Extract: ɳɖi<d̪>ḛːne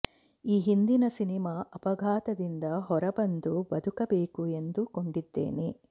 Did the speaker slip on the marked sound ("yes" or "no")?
yes